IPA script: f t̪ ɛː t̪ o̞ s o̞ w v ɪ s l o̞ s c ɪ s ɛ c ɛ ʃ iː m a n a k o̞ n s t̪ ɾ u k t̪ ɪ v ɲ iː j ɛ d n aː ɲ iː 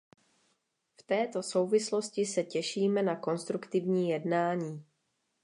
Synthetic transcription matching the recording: f t̪ ɛː t̪ o̞ s o̞ w v ɪ s l o̞ s c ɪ s ɛ c ɛ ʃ iː m ɛ n a k o̞ n s t̪ ɾ u k t̪ ɪ v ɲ iː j ɛ d n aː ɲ iː